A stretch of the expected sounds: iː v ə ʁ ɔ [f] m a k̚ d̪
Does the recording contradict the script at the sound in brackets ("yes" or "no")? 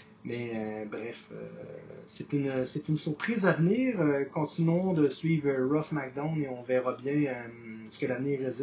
no